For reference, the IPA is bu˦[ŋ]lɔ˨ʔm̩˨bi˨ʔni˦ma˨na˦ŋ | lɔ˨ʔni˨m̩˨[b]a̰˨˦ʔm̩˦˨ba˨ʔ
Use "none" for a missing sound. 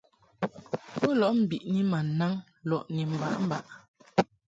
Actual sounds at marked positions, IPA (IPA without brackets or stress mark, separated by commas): none, b